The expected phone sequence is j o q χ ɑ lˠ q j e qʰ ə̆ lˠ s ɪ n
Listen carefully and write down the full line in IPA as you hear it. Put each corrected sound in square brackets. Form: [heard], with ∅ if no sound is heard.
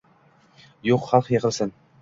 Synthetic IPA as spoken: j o q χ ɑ lˠ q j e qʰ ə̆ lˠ s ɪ n

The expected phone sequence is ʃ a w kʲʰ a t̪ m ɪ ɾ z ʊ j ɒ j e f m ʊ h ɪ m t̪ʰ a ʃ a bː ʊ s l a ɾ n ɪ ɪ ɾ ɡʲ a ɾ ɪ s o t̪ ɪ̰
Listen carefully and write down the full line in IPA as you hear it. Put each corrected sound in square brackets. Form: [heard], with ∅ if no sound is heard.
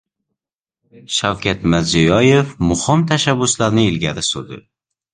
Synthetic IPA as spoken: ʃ a w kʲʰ a t̪ m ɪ ɾ z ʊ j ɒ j e f m ʊ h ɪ m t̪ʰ a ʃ a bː ʊ s l a ɾ n ɪ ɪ [l] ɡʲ a ɾ ɪ s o [d̪] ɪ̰

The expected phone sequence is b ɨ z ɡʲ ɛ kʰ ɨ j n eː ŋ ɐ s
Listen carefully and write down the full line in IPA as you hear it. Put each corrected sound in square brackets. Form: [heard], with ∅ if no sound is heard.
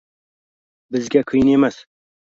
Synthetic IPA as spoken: b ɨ z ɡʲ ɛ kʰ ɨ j n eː [m] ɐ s

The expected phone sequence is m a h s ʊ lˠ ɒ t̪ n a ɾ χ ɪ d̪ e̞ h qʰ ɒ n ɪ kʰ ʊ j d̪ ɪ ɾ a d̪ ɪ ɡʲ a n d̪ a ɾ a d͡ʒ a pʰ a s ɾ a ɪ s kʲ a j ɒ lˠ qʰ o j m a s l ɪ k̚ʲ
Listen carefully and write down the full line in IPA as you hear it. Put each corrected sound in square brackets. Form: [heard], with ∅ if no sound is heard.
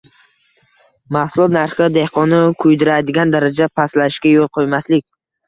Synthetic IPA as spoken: m a h s ʊ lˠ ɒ t̪ n a ɾ χ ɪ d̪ e̞ h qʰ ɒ n ɪ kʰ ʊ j d̪ ɪ ɾ a d̪ ɪ ɡʲ a n d̪ a ɾ a d͡ʒ a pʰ a s [l] a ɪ [ʃ] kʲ a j [o] lˠ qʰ o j m a s l ɪ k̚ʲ

